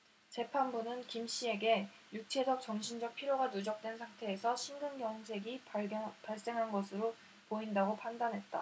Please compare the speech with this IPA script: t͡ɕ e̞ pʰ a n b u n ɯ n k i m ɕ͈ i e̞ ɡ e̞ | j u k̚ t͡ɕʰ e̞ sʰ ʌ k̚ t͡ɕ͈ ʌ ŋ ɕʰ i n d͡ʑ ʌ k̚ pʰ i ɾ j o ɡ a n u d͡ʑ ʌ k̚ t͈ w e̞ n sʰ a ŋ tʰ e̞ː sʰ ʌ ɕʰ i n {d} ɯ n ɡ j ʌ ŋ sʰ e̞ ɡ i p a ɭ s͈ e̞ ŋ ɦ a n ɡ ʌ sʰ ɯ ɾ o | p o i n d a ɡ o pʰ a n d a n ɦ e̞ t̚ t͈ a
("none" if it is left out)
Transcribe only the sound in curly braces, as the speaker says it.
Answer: ɡ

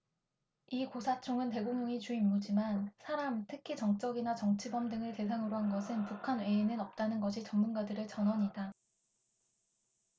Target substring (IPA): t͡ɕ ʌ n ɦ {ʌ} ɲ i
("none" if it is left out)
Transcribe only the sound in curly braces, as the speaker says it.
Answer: ʌ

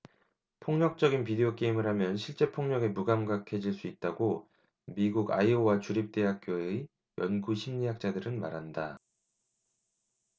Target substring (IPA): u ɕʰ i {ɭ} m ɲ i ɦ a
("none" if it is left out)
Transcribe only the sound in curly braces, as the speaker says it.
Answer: none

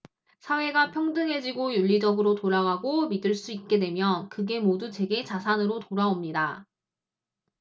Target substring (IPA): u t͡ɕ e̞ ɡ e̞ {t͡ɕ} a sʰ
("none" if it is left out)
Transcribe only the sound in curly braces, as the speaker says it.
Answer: t͡ɕ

